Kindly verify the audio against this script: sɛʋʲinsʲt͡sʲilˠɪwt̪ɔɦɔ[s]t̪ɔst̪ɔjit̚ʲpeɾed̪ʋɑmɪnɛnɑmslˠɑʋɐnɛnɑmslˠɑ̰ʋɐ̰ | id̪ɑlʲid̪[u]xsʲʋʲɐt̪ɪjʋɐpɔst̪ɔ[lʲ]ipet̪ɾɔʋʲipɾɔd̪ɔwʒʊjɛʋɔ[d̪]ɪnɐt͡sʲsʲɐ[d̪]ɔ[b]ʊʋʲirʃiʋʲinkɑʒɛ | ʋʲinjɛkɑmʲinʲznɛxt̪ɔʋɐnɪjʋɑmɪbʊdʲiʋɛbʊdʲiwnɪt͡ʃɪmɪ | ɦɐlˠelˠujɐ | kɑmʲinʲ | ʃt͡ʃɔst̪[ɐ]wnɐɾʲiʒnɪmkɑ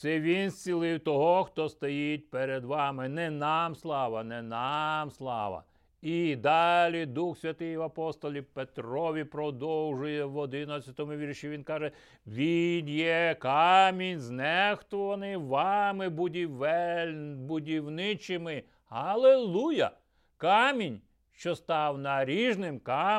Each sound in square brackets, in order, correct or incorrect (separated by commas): incorrect, correct, correct, correct, incorrect, incorrect, incorrect